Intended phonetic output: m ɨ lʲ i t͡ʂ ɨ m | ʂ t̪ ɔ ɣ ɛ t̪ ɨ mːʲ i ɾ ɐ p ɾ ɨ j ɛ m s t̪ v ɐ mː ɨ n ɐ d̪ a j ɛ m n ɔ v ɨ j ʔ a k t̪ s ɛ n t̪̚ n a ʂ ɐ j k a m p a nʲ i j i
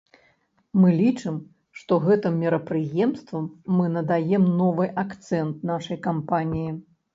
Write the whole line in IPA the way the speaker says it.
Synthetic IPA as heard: m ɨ lʲ i t͡ʂ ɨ m | ʂ t̪ ɔ ɣ ɛ t̪ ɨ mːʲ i ɾ ɐ p ɾ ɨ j ɛ m s t̪ v ɐ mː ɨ n ɐ d̪ a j ɛ m n ɔ v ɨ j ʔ a k t̪ s ɛ n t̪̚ n a ʂ ɐ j k a m p a nʲ i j i